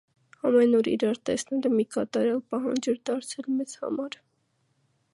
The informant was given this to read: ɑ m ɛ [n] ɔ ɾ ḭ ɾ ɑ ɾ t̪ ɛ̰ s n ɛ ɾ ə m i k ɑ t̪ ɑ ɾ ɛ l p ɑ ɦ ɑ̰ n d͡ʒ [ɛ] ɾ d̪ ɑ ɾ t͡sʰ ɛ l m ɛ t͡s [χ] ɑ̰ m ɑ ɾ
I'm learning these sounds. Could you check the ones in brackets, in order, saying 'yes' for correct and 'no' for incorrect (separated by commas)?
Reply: yes, yes, no